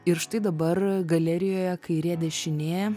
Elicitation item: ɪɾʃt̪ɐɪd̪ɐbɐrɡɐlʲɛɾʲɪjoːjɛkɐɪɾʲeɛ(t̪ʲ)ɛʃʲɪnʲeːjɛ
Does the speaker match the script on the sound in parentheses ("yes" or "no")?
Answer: no